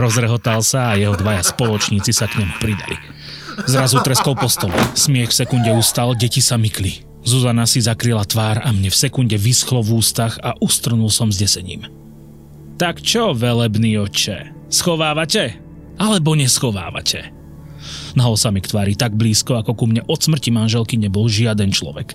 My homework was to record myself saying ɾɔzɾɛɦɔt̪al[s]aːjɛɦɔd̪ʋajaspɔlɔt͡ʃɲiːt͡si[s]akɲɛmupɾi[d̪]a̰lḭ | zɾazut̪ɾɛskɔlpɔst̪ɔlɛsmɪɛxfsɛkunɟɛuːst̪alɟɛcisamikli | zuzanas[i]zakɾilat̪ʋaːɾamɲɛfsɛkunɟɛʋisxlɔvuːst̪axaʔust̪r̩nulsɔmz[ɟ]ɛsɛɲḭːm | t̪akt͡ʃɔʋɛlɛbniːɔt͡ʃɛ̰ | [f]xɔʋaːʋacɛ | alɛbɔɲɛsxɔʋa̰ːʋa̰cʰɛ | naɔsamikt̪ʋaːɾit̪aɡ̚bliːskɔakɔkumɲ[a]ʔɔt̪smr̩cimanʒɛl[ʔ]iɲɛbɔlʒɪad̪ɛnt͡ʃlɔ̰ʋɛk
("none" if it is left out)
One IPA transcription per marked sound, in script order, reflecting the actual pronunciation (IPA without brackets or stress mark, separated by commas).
s, s, d̪, i, ɟ, s, ɛ, k